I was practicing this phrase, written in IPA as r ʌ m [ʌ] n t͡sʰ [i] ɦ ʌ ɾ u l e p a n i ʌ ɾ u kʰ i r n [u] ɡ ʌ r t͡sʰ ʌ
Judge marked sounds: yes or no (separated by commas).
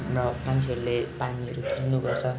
no, no, yes